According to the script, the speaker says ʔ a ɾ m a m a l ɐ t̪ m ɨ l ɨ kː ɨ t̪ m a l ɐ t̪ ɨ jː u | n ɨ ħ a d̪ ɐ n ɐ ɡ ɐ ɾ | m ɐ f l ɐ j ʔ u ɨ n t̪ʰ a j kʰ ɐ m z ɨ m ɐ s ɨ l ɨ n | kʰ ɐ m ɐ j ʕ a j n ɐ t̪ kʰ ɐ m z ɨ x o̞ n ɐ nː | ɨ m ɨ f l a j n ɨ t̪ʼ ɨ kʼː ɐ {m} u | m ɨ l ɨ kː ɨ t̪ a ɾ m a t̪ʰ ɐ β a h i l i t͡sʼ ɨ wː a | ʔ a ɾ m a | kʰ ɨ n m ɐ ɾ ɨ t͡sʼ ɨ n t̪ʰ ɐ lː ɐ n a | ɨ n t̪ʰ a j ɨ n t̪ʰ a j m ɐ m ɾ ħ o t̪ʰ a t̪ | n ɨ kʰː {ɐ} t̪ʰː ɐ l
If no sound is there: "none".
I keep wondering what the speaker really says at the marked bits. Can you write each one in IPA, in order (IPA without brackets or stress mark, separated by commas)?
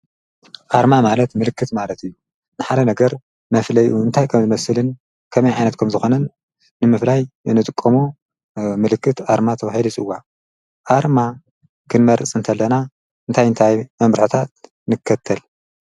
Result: m, ɐ